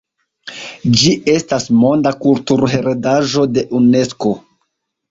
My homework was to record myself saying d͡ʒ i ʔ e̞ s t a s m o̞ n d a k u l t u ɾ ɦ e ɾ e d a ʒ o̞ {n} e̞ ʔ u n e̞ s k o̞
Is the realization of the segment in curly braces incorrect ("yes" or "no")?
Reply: yes